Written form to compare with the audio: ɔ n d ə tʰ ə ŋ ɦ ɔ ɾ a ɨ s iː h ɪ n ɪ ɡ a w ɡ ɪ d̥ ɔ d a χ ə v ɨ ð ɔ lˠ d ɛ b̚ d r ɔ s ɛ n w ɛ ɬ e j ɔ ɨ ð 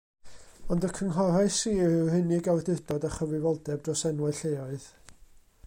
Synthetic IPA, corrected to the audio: ɔ n d ə kʰ ə ŋ ɦ ɔ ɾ a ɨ s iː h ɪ n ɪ ɡ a w d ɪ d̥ ɔ d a χ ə v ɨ v ɔ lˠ d ɛ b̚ d r ɔ s ɛ n w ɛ ɬ e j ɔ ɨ ð